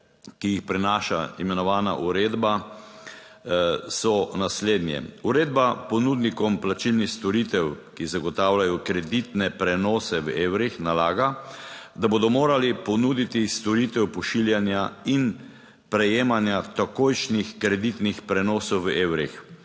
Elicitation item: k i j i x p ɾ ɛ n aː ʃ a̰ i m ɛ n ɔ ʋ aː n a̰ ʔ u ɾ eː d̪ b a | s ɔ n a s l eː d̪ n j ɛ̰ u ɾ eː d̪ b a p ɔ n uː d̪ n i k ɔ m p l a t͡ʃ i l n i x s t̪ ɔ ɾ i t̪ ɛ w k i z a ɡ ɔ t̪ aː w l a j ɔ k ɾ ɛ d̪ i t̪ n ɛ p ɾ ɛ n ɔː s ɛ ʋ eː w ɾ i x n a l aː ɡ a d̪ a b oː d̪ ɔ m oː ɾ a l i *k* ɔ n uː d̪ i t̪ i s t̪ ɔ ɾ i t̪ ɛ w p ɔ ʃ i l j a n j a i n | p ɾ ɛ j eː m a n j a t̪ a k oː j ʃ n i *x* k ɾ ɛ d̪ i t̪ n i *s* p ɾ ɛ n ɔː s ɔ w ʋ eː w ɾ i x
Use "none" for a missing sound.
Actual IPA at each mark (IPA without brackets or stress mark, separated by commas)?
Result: p, x, x